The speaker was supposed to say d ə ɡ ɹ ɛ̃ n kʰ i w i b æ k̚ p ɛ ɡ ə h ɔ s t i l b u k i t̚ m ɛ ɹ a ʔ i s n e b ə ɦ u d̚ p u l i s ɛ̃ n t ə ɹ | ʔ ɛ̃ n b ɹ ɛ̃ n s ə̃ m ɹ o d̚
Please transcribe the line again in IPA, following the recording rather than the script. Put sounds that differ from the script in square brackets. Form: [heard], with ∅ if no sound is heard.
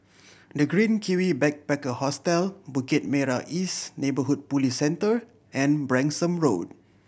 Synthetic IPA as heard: d ə ɡ ɹ [ĩ] n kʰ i w i b [ɛ] k̚ p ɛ [k] ə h ɔ s t [ɛ] l b u k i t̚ m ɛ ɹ a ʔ i s n e b ə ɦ u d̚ p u l i s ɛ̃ n t ə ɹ | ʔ ɛ̃ n b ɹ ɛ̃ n s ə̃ m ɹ o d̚